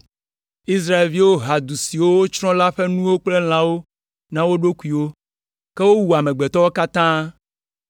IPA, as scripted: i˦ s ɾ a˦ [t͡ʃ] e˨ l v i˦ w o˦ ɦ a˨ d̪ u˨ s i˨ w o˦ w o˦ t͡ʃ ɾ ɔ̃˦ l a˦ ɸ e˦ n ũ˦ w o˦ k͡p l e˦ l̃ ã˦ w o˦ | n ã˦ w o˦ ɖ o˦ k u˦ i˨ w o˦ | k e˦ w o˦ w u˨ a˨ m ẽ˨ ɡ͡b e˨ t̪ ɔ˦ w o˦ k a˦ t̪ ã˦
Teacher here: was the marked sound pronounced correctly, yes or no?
no